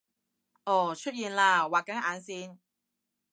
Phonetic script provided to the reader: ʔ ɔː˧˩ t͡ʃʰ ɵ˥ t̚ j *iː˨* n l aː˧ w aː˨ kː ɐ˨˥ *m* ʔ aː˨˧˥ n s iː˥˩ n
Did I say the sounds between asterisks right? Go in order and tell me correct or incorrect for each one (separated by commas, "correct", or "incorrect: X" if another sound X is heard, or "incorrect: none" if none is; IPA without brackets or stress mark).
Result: correct, incorrect: ŋ